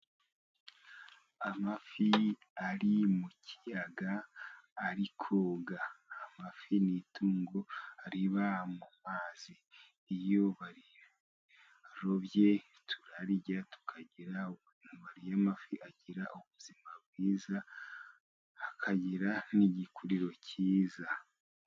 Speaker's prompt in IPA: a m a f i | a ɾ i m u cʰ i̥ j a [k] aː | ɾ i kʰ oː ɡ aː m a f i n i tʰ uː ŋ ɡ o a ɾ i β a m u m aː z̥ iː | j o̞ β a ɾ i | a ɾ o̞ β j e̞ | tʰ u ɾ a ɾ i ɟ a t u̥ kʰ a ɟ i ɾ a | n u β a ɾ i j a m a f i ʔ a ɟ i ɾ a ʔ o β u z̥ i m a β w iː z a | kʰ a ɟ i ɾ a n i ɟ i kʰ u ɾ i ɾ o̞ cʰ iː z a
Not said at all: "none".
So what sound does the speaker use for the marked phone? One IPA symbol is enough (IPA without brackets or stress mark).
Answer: ɡ